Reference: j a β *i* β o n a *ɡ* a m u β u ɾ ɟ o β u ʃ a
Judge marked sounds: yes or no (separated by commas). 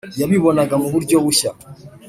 yes, yes